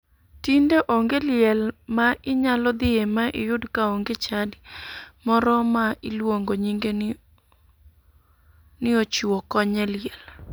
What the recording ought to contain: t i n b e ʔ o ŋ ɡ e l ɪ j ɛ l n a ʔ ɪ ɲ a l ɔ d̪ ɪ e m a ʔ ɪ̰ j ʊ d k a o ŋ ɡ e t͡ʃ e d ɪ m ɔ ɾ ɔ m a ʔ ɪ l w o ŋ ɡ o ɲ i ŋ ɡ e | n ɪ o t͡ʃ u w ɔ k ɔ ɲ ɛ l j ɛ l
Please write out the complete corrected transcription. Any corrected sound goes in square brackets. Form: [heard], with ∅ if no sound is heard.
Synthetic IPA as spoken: t i n [d] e ʔ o ŋ ɡ e l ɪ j ɛ l [m] a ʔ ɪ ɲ a l ɔ d̪ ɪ e m a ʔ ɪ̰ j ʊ d k a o ŋ ɡ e t͡ʃ [a] d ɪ m ɔ ɾ ɔ m a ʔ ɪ l w o ŋ ɡ o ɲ i ŋ ɡ e | n ɪ o t͡ʃ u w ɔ k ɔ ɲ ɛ l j ɛ l